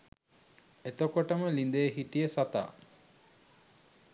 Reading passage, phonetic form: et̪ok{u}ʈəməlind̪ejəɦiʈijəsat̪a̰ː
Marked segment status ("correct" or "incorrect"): incorrect